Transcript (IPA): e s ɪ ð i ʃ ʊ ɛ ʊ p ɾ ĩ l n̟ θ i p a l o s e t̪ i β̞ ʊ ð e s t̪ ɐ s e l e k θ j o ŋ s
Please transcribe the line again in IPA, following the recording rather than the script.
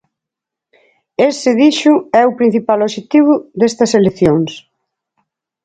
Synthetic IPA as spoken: e s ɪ ð i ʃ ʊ ɛ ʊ p ɾ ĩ n̟ θ i p a l o ʃ e t̪ i β̞ ʊ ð e s t̪ ɐ s e l e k θ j o ŋ s